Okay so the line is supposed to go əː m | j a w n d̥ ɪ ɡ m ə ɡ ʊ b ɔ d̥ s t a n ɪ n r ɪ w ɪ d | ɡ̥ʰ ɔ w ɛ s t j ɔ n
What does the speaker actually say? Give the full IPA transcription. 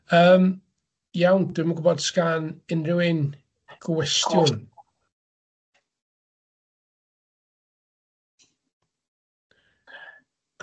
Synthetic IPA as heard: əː m | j a w n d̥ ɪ m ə ɡ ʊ b ɔ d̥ s k a n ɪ n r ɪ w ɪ n | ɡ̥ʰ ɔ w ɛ s t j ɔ n